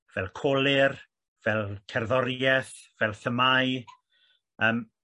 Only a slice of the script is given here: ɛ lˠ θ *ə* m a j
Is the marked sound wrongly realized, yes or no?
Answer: no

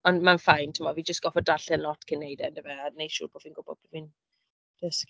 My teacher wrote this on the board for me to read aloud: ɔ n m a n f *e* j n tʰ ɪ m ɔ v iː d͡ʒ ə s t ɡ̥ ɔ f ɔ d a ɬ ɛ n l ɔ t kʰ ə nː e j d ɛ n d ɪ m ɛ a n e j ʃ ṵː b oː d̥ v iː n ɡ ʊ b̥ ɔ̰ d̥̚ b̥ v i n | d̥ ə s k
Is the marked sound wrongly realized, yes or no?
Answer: yes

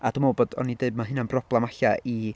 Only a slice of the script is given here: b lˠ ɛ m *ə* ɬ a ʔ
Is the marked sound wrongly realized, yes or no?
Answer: yes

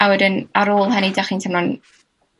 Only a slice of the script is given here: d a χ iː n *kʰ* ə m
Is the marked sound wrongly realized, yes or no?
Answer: yes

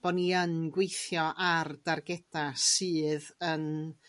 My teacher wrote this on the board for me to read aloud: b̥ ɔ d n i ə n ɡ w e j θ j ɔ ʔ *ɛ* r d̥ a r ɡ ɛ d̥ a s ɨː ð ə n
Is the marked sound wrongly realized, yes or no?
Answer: yes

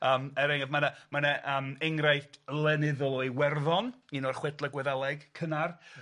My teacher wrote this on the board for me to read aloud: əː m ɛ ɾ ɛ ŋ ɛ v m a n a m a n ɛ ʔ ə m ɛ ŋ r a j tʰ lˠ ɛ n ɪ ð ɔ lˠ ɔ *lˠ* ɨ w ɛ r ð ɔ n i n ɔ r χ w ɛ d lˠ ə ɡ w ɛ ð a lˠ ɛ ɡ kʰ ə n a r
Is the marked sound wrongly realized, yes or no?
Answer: yes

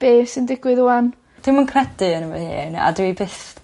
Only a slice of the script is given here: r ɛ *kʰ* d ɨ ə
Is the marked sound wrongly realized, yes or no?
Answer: yes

